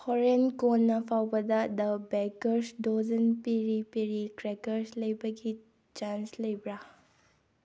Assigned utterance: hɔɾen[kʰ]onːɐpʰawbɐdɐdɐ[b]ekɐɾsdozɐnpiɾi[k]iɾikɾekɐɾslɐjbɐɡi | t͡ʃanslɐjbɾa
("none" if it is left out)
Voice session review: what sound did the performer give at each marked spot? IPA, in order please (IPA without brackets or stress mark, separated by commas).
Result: k, b, p